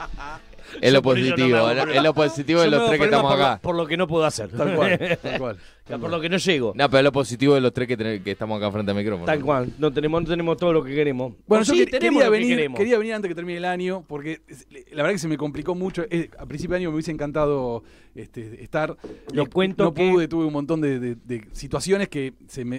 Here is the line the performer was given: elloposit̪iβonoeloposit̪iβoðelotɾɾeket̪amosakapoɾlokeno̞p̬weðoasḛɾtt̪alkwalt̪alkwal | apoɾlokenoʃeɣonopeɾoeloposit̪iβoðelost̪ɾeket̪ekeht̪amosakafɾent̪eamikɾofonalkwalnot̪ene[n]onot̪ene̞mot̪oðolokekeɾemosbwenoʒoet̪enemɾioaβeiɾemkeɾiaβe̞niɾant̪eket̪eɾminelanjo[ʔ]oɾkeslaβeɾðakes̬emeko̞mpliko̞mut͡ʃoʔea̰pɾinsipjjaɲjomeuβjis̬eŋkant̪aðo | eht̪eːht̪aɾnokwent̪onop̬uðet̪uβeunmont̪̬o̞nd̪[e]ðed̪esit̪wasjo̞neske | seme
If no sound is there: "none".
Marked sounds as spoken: m, p, e

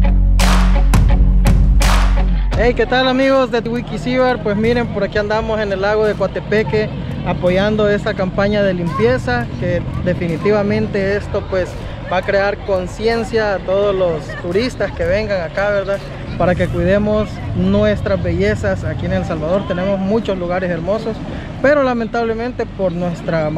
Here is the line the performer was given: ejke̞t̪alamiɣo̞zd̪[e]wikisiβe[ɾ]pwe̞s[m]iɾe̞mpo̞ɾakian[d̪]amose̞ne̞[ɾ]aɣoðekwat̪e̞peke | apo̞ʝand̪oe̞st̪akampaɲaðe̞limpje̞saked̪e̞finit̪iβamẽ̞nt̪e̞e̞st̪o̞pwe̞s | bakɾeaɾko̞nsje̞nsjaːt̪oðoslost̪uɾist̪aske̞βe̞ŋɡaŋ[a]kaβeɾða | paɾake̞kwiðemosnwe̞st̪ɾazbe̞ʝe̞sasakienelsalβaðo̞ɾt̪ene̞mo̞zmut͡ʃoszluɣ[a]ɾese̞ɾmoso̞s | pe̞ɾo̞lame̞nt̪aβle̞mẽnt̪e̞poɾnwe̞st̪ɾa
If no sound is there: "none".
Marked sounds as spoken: e, ɾ, m, d̪, l, a, a

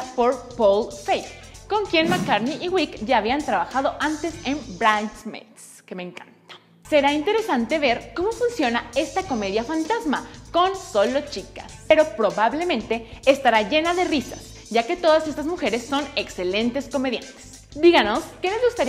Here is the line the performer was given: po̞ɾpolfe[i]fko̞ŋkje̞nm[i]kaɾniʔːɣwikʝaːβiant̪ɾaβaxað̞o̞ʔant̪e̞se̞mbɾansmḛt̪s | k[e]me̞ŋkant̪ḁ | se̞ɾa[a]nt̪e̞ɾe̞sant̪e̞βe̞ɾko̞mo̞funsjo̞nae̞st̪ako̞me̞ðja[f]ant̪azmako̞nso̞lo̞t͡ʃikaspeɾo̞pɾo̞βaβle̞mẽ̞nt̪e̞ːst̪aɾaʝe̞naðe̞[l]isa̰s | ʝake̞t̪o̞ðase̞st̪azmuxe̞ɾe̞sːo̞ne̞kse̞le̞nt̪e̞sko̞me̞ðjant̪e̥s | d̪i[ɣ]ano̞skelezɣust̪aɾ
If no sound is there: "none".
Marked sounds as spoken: j, a, e, i, f, r, ɣ

